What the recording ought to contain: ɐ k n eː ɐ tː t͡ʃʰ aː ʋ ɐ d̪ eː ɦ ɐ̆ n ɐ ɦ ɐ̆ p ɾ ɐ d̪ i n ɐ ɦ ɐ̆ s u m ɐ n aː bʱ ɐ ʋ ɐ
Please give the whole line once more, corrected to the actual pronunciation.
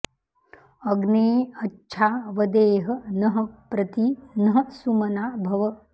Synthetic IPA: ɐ ɡ n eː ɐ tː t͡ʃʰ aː ʋ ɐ d̪ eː ɦ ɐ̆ n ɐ ɦ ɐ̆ p ɾ ɐ t̪ i n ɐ ɦ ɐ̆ s u m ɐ n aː bʱ ɐ ʋ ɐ